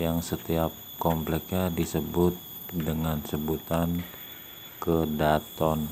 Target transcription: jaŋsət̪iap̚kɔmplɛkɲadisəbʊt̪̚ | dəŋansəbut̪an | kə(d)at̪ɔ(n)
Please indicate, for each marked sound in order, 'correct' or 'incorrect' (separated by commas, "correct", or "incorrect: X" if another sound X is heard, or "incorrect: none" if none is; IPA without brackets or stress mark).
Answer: correct, correct